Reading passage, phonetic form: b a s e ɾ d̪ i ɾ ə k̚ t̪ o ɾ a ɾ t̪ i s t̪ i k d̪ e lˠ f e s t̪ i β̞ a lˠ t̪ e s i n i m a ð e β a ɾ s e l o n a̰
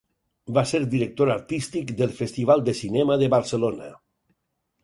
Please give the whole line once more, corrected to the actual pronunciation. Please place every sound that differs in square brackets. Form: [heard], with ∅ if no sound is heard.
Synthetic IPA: b a s e ɾ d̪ i ɾ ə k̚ t̪ o ɾ a ɾ t̪ i s t̪ i k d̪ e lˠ f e s t̪ i β̞ a lˠ [d̪] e s i n [ɛ] m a ð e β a ɾ s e l o n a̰